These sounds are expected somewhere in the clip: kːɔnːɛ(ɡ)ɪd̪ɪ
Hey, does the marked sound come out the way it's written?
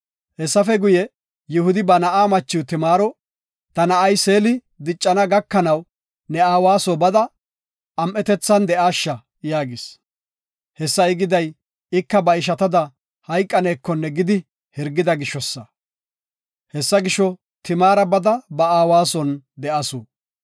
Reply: yes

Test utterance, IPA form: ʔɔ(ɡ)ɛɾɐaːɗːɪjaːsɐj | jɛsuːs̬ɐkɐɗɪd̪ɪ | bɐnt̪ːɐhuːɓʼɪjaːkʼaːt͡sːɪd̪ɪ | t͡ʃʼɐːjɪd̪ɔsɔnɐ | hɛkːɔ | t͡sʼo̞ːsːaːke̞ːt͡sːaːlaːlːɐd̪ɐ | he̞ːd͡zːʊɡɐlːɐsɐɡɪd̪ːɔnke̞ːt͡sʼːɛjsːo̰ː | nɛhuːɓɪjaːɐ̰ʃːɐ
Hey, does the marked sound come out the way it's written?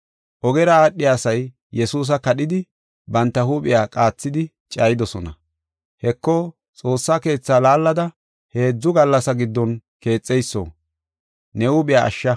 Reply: yes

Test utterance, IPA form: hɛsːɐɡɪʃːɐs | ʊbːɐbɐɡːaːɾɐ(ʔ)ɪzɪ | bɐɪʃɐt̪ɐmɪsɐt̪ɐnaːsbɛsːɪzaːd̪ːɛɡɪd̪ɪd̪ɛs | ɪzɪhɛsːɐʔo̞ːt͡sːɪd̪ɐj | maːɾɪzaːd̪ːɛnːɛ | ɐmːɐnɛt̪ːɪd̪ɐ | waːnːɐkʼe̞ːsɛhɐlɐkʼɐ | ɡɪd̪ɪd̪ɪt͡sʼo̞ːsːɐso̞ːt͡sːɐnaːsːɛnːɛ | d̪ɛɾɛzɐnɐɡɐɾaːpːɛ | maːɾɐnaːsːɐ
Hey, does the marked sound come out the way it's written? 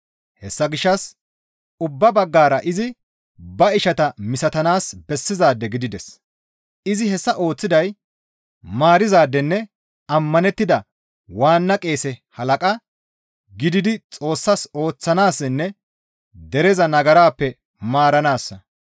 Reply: yes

